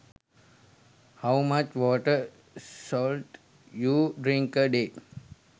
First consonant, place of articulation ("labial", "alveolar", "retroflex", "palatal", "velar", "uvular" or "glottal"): glottal